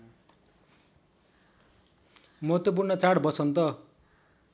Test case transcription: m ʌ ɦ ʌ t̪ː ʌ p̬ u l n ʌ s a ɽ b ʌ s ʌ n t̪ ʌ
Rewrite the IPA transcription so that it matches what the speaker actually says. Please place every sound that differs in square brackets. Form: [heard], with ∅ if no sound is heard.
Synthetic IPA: m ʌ ɦ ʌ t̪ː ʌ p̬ u [r] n ʌ [t͡s] a ɽ b ʌ s ʌ n t̪ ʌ